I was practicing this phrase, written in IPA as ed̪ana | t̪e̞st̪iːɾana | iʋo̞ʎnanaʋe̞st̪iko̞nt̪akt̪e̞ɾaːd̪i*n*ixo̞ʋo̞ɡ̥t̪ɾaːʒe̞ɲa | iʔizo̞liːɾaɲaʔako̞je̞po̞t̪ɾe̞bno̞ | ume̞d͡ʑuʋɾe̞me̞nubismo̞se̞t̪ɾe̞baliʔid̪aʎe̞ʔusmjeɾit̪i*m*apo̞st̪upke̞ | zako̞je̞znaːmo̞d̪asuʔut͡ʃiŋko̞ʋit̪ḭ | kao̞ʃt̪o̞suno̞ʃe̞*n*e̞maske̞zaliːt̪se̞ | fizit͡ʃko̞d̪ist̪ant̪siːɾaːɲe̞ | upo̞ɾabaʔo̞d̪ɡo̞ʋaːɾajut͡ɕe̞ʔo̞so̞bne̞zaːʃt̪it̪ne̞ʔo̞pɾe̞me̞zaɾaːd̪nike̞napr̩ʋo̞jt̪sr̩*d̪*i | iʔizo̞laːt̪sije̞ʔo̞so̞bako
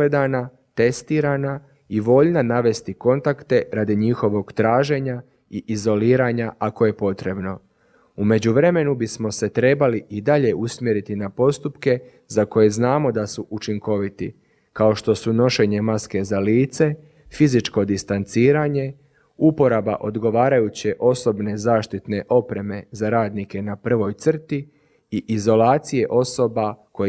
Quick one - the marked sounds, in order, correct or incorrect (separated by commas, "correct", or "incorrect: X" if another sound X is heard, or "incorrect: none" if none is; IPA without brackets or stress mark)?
incorrect: ɲ, incorrect: n, incorrect: ɲ, incorrect: t̪